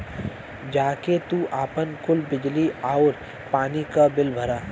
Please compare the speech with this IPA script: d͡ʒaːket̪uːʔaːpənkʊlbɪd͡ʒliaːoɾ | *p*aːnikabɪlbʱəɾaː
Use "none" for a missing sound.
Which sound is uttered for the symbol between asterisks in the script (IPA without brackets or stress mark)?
p